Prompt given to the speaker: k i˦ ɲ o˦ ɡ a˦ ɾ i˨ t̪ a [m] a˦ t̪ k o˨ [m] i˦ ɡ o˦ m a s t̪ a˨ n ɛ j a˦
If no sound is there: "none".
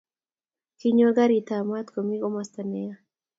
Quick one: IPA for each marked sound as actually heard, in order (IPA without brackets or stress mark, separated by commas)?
m, m